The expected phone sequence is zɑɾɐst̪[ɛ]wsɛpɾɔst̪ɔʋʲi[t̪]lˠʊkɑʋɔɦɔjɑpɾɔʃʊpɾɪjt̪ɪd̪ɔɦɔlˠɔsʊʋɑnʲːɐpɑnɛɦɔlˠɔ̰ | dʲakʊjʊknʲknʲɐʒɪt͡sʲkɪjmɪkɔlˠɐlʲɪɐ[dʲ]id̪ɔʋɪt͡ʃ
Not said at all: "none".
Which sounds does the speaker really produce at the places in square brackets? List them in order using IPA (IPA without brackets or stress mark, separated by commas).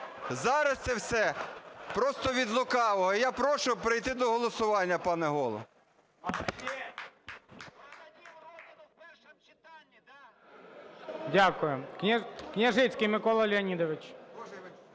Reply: ɛ, d̪, nʲ